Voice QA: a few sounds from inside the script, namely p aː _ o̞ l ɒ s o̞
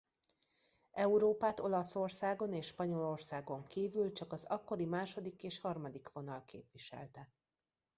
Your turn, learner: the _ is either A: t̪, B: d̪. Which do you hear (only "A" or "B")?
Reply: A